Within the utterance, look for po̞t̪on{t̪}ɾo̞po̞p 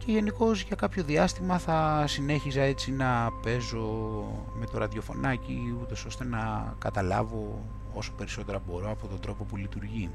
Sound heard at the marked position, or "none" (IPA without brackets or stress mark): d̪